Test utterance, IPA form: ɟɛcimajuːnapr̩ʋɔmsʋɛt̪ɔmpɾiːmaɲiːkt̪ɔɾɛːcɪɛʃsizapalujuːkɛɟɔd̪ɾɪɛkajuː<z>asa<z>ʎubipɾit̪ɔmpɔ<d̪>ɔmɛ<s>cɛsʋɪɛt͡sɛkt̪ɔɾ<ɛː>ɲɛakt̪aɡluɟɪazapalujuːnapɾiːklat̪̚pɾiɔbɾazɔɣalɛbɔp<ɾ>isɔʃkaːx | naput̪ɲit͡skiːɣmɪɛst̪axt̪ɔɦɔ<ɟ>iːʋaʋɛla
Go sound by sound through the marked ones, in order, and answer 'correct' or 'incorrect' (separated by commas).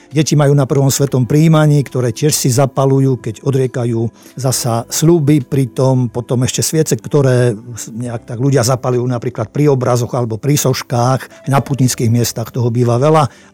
correct, incorrect, incorrect, incorrect, correct, correct, incorrect